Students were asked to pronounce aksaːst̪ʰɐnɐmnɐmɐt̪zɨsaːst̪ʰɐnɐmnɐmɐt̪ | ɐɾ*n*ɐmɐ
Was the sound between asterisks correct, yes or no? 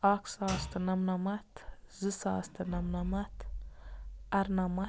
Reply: yes